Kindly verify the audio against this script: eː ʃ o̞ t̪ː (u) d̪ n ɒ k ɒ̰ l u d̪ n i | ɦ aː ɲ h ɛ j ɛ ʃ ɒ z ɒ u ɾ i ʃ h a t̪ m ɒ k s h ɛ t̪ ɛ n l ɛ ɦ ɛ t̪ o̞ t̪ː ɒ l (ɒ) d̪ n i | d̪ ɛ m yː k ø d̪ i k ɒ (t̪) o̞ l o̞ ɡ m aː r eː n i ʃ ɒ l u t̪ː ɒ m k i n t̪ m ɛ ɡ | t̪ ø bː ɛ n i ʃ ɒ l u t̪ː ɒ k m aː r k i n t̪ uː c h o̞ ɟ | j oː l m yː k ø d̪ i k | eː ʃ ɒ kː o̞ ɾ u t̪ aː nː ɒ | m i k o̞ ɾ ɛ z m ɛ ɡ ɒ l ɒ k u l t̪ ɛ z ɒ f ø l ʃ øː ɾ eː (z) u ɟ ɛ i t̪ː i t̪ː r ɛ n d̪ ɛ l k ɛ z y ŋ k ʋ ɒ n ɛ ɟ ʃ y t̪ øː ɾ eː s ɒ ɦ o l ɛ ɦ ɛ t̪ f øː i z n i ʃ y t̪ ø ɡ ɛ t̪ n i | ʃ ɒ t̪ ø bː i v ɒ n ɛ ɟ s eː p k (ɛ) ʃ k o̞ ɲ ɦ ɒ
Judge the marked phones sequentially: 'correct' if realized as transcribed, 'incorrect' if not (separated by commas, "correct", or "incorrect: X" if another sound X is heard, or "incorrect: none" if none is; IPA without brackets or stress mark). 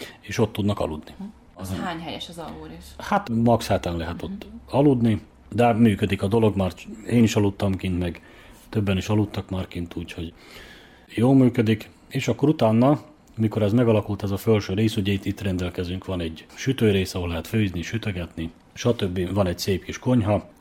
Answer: correct, incorrect: u, incorrect: d̪, incorrect: s, incorrect: i